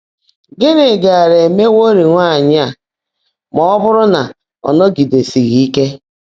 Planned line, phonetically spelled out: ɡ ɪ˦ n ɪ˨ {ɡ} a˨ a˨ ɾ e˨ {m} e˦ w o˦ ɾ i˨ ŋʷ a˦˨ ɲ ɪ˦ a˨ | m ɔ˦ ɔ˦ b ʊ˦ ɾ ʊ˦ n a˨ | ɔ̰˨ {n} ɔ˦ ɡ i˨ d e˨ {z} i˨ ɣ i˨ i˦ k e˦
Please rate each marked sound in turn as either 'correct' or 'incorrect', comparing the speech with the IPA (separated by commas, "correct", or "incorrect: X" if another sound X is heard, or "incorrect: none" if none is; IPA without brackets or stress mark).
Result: correct, correct, correct, incorrect: s